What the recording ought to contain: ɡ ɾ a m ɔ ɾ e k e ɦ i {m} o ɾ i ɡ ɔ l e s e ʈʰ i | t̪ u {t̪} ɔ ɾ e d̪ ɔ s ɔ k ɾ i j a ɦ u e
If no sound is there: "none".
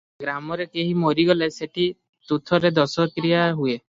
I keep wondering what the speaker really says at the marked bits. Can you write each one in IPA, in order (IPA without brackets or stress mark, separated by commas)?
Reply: m, t̪ʰ